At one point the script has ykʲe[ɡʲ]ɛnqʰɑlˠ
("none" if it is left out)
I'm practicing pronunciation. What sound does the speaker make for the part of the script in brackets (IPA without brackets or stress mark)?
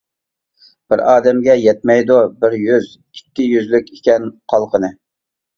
kʲ